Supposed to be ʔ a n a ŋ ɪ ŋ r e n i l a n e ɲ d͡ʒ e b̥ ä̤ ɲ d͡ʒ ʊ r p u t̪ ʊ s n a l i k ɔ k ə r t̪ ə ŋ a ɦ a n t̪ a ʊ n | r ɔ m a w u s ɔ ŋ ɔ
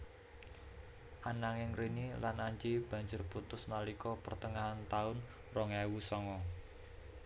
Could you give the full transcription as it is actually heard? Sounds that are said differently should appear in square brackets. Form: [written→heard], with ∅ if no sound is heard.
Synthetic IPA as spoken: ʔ a n a ŋ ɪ ŋ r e n i l a n [e→a] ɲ d͡ʒ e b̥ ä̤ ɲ d͡ʒ ʊ r p u t̪ ʊ s n a l i k ɔ [k→p] ə r t̪ ə ŋ a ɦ a n t̪ a ʊ n | r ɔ [m→ŋ] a w u s ɔ ŋ ɔ